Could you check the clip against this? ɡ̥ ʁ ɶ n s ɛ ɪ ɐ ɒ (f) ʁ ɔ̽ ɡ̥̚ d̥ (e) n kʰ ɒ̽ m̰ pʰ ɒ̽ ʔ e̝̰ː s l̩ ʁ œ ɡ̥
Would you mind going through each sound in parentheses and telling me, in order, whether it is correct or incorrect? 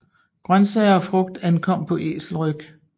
correct, incorrect: æ

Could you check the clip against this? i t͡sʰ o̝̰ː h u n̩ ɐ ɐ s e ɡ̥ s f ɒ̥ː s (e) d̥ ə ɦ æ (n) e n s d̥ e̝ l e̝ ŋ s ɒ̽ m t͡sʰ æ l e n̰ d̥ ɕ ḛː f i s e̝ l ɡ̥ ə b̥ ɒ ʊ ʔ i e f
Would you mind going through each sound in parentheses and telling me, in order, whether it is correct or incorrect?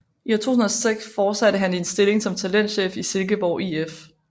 incorrect: æ, correct

